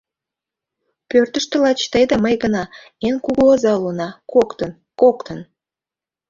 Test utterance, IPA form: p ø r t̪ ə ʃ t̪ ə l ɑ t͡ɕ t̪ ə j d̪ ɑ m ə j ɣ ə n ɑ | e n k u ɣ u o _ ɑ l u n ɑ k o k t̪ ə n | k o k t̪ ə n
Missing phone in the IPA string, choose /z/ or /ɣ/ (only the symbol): z